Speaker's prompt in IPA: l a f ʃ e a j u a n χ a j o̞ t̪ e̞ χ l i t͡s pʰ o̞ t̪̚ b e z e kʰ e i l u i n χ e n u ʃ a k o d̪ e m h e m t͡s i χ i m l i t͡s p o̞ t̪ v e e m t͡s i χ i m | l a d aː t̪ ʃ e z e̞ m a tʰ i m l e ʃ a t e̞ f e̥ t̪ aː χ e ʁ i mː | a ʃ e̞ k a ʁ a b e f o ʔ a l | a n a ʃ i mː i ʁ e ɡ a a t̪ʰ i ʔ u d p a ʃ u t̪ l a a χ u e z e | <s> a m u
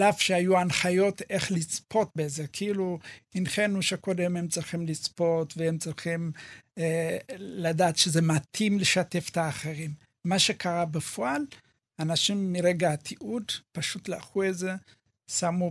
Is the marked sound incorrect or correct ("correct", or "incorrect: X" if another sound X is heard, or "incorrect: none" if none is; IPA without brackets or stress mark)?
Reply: correct